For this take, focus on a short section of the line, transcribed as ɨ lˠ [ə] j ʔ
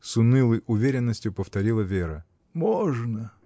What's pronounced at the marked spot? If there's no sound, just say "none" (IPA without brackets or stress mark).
ə